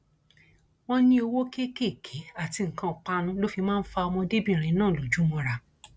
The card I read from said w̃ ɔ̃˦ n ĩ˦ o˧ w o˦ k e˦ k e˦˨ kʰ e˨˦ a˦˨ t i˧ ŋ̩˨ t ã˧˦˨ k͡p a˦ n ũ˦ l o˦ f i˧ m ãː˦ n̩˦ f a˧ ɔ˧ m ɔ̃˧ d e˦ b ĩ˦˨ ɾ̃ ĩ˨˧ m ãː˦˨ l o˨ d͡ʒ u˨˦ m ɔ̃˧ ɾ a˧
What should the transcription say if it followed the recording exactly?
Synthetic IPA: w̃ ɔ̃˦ n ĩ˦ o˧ w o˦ k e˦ k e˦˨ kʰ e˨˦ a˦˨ t i˧ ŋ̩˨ k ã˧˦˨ k͡p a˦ n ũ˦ l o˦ f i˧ m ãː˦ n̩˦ f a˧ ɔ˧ m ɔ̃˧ d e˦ b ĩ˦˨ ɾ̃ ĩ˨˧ n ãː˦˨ l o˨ d͡ʒ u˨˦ m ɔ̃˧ ɾ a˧